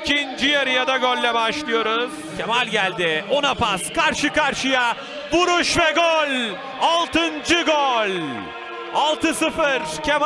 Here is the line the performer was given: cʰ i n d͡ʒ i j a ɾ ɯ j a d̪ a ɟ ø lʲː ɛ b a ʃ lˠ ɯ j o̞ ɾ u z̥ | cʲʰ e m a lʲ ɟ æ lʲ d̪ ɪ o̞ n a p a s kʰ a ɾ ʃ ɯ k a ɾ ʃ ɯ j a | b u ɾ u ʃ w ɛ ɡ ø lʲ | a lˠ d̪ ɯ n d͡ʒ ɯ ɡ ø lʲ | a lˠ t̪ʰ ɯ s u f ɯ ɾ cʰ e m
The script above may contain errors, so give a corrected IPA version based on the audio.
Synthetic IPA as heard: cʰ i n d͡ʒ i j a ɾ ɯ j a d̪ a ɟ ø lʲː ɛ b a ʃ lˠ ɯ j o̞ ɾ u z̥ | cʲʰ e m a lʲ ɟ æ lʲ d̪ ɪ o̞ n a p a s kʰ a ɾ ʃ ɯ k a ɾ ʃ ɯ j a | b u ɾ u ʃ v ɛ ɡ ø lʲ | a lˠ t̪ ɯ n d͡ʒ ɯ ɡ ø lʲ | a lˠ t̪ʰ ɯ s ɯ f ɯ ɾ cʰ e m